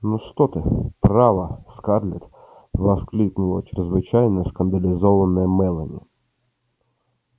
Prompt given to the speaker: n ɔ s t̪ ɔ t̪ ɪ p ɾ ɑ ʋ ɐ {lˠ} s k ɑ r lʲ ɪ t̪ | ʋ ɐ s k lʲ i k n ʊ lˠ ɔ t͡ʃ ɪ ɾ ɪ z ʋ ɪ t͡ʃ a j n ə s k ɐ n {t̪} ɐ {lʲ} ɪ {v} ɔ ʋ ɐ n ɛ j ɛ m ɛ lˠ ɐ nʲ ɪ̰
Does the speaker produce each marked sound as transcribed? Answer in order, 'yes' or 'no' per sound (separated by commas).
no, no, yes, no